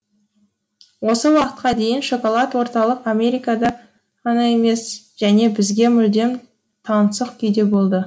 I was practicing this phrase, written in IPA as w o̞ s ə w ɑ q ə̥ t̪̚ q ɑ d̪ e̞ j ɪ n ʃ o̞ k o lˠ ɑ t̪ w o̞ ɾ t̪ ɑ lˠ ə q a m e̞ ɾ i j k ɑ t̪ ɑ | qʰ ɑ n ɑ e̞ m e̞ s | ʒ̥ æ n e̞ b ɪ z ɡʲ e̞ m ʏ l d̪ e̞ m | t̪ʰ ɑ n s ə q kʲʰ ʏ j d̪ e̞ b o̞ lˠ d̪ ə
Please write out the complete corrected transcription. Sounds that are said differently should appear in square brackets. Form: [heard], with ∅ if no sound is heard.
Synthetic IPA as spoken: w o̞ s ə w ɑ q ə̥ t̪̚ q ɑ d̪ e̞ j ɪ n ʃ o̞ k o lˠ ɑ t̪ w o̞ ɾ t̪ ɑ lˠ ə q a m e̞ ɾ i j k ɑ [d̪] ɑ | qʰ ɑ n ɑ e̞ m e̞ s | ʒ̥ æ n e̞ b ɪ z ɡʲ e̞ m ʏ l d̪ e̞ m | t̪ʰ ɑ n s ə q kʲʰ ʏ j d̪ e̞ b o̞ lˠ d̪ ə